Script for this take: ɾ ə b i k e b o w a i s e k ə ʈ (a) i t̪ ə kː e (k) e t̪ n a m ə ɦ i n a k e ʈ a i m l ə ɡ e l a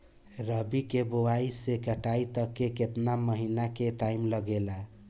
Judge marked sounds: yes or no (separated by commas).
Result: yes, yes